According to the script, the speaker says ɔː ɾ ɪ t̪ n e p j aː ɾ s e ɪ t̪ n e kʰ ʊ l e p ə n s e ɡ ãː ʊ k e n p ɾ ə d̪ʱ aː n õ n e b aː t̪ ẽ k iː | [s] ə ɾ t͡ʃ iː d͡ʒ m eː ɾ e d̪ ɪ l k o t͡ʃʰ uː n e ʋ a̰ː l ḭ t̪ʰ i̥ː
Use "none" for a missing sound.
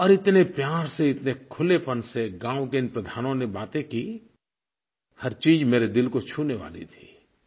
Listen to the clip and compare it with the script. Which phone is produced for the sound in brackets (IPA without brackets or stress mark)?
h